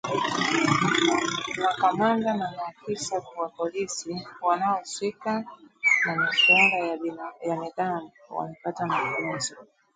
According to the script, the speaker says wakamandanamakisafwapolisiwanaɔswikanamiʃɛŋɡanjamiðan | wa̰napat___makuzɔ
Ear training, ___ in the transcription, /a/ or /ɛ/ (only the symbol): a